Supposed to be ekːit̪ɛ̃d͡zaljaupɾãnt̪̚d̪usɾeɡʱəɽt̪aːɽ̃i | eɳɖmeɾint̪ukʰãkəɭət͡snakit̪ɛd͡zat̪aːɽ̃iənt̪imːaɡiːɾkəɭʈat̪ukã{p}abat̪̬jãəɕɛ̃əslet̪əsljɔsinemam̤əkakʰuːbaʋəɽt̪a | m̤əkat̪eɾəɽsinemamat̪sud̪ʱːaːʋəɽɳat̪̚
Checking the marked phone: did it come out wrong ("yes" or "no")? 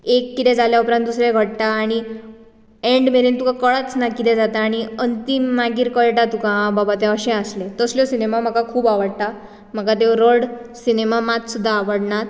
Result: yes